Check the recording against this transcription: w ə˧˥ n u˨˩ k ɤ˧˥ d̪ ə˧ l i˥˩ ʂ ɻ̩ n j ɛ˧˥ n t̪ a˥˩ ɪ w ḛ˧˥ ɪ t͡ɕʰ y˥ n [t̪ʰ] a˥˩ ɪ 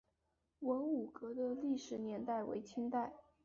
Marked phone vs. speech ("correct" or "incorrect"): incorrect